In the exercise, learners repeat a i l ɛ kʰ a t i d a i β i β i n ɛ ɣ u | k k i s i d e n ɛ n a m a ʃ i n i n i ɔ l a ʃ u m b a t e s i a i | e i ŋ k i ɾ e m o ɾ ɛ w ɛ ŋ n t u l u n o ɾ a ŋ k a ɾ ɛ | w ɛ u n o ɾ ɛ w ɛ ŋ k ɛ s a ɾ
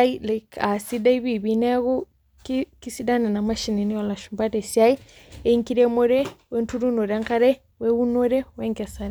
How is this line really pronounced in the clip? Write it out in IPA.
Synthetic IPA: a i l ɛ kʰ a s i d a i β i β i n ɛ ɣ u | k k i s i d a n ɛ n a m a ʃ i n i n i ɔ l a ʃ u m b a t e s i a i | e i ŋ k i ɾ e m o ɾ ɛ w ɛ n t u ɾ u n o ɾ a ŋ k a ɾ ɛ | w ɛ u n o ɾ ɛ w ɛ ŋ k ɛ s a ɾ